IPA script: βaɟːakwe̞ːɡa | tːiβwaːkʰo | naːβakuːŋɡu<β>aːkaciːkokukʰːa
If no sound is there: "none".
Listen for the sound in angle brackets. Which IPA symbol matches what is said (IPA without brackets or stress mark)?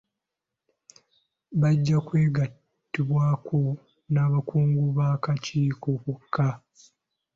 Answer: β